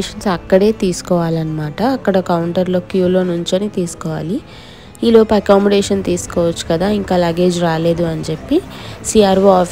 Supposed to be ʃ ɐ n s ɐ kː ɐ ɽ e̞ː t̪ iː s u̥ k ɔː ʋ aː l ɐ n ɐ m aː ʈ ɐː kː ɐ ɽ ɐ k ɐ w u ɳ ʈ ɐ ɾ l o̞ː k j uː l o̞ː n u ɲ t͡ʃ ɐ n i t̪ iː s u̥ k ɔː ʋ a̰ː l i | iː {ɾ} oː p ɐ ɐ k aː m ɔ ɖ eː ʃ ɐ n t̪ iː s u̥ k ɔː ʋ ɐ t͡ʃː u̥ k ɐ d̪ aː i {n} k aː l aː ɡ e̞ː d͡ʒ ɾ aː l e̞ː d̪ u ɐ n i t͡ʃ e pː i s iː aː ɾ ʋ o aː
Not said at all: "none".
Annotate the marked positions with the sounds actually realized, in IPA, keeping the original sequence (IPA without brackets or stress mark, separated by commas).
l, ŋ